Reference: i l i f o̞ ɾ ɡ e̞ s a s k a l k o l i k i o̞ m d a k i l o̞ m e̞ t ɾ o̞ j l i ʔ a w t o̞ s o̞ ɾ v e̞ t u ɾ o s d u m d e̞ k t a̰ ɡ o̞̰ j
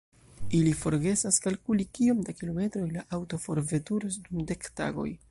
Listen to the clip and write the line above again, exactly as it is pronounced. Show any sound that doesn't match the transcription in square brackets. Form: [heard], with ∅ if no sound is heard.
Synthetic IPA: i l i f o̞ ɾ ɡ e̞ s a s k a l k [u] l i k i o̞ m d a k i l o̞ m e̞ t ɾ o̞ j l [a] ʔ a w t o̞ [f] o̞ ɾ v e̞ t u ɾ o s d u m d e̞ k t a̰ ɡ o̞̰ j

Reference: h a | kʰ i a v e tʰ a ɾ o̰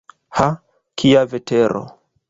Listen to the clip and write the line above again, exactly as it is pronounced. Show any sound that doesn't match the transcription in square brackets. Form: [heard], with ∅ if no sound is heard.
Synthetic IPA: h a | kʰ i a v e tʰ [e] ɾ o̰

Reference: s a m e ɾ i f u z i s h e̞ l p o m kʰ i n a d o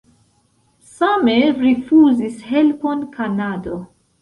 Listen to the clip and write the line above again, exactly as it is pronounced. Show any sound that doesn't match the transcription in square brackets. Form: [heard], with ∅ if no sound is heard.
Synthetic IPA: s a m e ɾ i f u z i s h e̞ l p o [n] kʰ [a] n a d o

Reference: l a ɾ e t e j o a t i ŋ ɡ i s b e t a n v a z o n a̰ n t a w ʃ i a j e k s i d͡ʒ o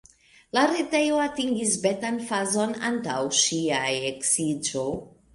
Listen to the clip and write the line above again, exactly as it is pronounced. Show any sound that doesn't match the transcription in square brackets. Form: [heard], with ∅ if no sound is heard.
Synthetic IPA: l a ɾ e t e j o a t i ŋ ɡ i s b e t a n [f] a z o n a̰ n t a w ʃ i a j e k s i d͡ʒ o

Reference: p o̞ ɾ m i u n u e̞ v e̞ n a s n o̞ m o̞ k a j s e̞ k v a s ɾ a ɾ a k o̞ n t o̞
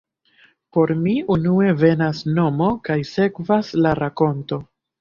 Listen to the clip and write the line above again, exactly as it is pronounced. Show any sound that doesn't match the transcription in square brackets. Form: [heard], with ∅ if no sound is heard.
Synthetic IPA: p o̞ ɾ m i u n u e̞ v e̞ n a s n o̞ m o̞ k a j s e̞ k v a s [l] a ɾ a k o̞ n t o̞

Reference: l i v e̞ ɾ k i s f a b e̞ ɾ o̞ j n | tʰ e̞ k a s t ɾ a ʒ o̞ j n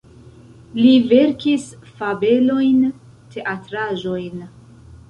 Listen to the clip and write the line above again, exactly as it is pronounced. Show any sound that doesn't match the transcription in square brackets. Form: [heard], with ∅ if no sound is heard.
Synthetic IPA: l i v e̞ ɾ k i s f a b e̞ [l] o̞ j n | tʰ e̞ [ʔ] a [∅] t ɾ a ʒ o̞ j n

